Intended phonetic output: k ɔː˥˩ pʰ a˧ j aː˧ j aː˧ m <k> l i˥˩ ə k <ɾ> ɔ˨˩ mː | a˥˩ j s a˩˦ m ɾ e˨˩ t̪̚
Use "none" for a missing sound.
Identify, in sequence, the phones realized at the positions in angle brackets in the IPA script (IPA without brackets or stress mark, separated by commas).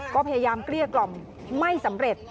k, l